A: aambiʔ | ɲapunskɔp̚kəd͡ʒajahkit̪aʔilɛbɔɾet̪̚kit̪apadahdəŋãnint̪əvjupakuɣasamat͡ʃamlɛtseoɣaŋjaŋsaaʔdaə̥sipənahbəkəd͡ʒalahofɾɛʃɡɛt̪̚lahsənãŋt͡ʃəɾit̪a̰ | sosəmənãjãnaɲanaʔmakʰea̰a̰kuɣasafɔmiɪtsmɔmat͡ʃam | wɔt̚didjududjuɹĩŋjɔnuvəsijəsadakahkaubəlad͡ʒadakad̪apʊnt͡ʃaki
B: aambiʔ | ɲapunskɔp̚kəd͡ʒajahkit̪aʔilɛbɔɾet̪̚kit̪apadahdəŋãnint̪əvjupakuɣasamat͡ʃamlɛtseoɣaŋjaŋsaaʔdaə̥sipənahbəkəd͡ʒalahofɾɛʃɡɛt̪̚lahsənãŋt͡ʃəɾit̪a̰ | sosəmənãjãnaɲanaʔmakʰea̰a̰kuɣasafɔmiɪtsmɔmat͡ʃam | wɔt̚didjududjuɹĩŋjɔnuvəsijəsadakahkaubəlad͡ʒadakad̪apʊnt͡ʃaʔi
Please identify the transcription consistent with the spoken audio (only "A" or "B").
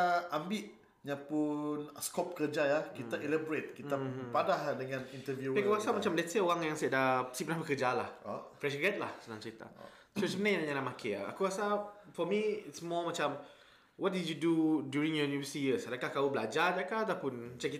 A